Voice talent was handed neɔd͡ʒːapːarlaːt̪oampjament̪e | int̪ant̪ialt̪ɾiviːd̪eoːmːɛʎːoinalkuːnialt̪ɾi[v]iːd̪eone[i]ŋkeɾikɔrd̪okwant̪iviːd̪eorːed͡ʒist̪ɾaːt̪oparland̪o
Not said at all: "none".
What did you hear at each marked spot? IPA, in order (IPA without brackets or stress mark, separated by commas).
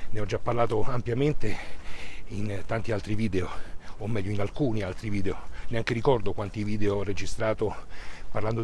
v, a